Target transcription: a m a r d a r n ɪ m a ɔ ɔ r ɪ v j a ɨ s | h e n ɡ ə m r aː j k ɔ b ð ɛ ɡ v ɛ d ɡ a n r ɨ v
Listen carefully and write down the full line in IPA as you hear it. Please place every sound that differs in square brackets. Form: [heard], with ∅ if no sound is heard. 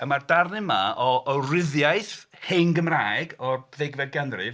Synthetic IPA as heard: [ə] m a r d a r n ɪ m a ɔ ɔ r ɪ [ð] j a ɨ [θ] | h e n ɡ ə m r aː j [ɡ] ɔ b ð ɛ ɡ v ɛ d ɡ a n r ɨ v